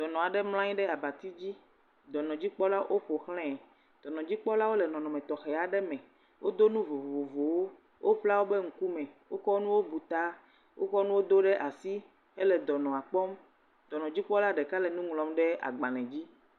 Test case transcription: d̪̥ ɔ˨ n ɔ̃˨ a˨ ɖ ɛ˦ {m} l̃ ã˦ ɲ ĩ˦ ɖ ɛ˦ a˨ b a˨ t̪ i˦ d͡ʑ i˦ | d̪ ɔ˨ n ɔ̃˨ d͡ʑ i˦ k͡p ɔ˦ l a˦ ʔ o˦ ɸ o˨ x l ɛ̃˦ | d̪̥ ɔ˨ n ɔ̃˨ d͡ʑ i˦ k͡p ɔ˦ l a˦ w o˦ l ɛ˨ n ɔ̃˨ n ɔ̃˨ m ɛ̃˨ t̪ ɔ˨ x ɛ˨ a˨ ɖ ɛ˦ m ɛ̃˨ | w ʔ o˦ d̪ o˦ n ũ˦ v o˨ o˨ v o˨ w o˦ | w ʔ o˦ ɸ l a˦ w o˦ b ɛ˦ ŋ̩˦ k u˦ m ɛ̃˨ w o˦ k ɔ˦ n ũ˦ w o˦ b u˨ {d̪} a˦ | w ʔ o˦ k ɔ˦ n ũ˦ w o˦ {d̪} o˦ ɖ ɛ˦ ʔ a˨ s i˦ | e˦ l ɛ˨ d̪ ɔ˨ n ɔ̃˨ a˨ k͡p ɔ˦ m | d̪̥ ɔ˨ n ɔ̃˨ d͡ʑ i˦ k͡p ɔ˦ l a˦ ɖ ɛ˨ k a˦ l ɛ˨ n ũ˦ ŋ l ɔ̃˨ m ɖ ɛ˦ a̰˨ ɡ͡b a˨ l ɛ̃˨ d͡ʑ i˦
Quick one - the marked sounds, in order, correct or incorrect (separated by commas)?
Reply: correct, incorrect, correct